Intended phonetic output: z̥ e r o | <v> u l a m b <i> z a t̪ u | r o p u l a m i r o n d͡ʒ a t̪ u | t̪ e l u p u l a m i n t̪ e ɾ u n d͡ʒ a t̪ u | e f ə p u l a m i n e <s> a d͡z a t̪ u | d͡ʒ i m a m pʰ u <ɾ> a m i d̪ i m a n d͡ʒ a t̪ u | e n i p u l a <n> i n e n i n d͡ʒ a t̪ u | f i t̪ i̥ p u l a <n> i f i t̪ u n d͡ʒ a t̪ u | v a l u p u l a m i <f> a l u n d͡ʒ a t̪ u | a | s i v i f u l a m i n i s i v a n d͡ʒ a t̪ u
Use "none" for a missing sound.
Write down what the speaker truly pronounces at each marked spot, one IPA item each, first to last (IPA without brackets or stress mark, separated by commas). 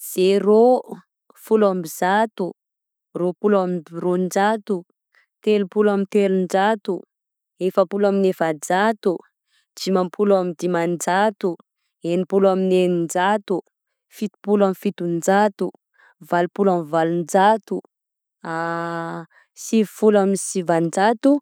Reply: f, i, f, l, m, m, v